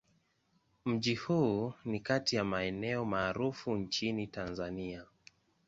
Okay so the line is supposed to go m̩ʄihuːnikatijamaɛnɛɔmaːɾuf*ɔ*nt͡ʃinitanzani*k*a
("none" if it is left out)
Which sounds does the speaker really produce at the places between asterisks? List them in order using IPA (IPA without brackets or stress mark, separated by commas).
u, none